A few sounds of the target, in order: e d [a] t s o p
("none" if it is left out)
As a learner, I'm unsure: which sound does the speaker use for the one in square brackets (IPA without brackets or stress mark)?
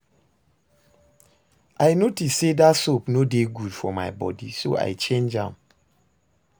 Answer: a